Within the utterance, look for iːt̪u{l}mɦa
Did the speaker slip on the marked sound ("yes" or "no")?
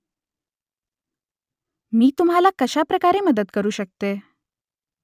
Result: yes